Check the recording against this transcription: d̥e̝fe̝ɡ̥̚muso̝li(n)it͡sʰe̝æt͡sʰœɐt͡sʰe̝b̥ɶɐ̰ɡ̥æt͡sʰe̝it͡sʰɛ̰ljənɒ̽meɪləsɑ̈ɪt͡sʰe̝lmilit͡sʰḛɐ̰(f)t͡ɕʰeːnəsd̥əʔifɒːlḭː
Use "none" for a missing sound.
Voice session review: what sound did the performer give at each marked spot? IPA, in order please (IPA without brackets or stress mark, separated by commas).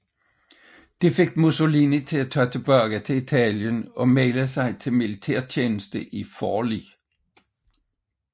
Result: n, none